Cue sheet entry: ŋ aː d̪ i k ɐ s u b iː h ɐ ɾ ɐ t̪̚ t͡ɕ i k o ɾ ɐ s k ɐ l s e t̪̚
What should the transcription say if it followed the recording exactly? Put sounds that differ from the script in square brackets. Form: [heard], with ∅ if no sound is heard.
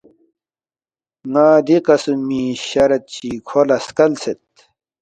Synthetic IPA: ŋ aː d̪ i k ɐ s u [m] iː [ɕ] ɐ ɾ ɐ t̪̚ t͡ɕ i [kʰ] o [l] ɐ s k ɐ l s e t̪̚